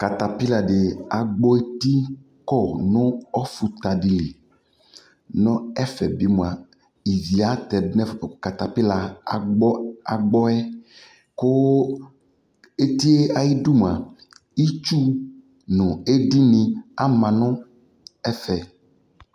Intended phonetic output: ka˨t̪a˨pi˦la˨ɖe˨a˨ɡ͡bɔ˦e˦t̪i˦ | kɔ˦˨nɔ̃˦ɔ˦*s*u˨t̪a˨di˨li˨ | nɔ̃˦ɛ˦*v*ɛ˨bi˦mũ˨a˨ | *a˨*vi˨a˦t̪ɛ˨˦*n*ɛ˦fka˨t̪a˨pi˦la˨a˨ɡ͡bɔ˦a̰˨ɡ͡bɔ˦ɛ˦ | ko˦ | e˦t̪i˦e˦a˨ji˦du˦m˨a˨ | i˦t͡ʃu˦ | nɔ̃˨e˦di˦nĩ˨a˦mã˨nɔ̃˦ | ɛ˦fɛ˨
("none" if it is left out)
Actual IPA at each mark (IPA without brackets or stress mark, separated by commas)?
f, f, i˨, n